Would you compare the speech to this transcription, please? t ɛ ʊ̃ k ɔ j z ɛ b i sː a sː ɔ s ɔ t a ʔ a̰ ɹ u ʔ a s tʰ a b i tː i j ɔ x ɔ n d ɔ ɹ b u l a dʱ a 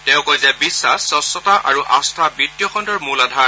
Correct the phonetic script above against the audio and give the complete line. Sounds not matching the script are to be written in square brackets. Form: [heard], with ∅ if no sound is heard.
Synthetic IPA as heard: t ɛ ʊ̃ k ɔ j z ɛ b i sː a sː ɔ s ɔ t a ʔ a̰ ɹ u ʔ a s tʰ a b i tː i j ɔ x ɔ n d ɔ ɹ [m] u l a dʱ a